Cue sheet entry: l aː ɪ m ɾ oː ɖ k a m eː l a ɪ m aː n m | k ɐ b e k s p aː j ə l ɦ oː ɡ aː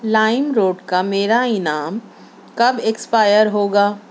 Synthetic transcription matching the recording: l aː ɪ m ɾ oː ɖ k a m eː ɾ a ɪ n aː m | k ɐ b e k s p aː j ə ɾ ɦ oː ɡ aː